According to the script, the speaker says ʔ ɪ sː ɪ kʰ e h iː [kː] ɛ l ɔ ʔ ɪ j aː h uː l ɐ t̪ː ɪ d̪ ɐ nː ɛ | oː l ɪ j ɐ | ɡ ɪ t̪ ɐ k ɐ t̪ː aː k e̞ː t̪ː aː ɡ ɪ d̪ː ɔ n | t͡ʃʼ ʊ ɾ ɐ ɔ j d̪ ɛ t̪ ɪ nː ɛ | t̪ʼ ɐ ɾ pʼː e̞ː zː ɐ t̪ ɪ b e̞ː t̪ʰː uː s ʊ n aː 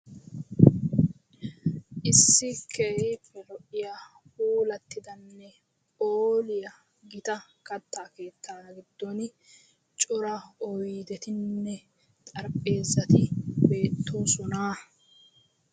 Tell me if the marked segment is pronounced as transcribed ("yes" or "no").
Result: no